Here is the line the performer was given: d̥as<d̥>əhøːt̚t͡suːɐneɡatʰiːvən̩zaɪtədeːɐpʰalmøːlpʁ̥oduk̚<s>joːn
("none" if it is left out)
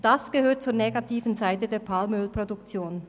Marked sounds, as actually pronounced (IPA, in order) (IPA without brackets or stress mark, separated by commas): ɡ̥, t͡s